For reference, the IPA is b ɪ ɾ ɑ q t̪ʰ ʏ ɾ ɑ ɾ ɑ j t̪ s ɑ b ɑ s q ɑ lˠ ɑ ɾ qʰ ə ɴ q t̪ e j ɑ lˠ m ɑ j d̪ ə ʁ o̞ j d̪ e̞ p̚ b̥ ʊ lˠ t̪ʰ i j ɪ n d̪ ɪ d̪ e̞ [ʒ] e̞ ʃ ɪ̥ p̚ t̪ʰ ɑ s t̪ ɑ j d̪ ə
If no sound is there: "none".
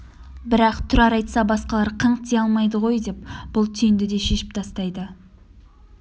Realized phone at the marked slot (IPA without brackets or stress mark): ʃ